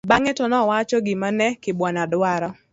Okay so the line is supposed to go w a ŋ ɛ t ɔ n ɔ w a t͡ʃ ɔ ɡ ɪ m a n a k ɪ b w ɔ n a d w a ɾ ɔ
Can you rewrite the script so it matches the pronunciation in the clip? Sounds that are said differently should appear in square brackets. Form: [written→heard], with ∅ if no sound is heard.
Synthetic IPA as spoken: [w→b] a ŋ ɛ t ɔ n ɔ w a t͡ʃ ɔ ɡ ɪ m a n [a→ɛ] k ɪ b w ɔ n a d w a ɾ ɔ